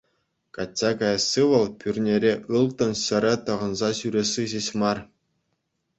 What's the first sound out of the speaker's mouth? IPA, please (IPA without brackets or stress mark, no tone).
k